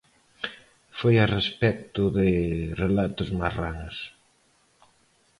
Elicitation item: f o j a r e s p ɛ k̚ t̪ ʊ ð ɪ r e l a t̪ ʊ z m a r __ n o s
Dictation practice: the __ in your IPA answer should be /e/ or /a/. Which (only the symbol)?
a